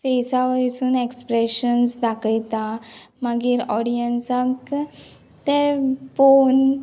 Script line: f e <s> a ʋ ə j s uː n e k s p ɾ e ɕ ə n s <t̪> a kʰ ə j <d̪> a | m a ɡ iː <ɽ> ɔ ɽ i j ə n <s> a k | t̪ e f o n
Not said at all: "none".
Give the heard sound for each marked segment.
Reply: s, d̪, t̪, ɾ, s

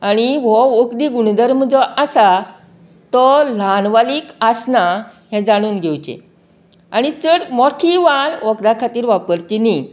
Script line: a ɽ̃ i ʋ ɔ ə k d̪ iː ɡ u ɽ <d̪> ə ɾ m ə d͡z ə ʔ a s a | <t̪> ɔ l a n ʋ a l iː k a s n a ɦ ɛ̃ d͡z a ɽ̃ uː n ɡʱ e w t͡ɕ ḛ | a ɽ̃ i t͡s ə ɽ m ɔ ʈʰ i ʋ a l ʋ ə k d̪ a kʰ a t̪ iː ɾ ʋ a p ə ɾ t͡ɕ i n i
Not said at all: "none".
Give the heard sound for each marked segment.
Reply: d̪, t̪

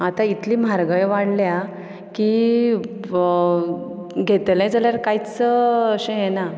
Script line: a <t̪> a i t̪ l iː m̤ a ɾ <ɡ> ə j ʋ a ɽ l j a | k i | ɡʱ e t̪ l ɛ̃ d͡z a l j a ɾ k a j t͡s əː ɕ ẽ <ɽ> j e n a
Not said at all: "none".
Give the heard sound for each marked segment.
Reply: t̪, ɡ, none

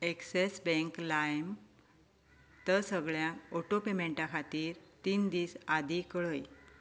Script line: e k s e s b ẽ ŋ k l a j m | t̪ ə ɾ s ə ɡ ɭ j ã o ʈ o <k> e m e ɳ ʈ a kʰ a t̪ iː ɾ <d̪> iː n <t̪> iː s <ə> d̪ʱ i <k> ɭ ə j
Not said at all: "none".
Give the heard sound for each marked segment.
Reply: p, t̪, d̪, a, k

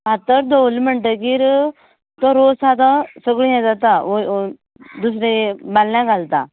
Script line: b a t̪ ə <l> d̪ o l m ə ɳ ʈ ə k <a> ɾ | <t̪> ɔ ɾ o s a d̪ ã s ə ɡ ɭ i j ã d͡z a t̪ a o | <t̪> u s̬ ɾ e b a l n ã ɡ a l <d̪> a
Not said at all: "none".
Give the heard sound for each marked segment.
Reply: ɾ, i, t̪, d̪, t̪

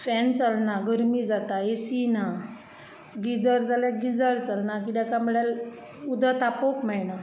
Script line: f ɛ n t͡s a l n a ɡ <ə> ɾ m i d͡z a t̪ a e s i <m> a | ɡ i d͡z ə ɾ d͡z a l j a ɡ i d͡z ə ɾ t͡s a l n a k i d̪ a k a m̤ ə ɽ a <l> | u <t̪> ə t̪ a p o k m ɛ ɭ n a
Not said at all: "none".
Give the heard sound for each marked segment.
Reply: ə, n, l, d̪

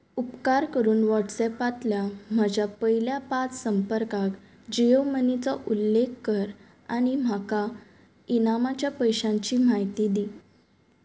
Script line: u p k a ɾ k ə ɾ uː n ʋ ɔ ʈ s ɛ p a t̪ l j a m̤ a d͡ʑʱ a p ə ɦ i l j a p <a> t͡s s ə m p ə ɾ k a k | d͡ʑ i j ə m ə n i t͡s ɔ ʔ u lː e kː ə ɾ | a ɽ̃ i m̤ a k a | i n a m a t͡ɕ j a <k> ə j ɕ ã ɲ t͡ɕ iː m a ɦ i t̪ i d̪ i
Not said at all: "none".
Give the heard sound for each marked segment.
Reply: a, p

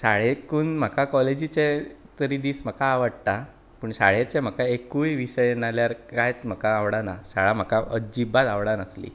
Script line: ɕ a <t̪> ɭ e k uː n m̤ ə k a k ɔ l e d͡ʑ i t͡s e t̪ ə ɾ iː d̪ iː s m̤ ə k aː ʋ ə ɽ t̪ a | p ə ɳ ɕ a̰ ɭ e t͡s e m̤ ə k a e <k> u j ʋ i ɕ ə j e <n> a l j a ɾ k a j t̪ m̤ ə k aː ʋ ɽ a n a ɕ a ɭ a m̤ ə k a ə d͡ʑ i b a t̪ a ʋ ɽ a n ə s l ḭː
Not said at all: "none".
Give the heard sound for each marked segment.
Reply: none, k, n

